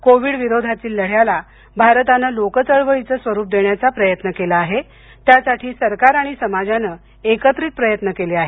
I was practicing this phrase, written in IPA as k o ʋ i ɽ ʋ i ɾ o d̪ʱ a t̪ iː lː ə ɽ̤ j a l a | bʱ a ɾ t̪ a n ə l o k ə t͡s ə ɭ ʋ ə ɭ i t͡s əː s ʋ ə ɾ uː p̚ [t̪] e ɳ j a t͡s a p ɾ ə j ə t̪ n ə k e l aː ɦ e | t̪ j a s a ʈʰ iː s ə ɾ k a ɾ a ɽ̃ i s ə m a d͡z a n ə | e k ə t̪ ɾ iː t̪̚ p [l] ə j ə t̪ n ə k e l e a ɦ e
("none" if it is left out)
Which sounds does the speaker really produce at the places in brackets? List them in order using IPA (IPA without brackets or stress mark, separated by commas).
d̪, ɾ